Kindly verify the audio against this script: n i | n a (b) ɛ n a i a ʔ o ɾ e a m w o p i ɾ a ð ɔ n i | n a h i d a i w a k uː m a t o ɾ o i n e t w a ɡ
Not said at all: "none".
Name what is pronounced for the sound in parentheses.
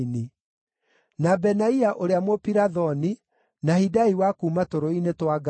b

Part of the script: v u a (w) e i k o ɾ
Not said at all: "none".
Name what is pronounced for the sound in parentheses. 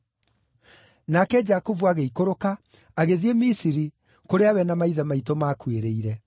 ɣ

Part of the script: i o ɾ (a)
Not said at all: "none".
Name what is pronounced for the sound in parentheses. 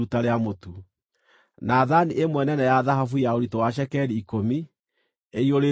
e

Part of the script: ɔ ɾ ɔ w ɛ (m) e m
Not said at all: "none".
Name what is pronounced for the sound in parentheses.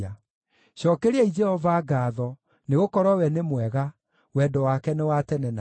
n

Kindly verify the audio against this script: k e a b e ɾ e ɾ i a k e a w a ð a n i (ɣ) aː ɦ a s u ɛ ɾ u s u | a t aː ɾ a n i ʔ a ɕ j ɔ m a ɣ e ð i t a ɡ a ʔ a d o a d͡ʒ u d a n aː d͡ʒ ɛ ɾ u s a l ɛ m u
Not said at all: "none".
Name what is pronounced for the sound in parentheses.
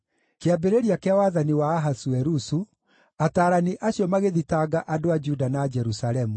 w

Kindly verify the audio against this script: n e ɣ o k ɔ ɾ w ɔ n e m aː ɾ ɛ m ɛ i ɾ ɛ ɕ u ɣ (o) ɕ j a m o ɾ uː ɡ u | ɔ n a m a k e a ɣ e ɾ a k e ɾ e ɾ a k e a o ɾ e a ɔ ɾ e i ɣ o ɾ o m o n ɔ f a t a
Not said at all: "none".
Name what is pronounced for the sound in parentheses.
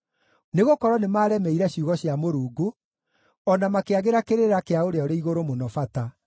ɔ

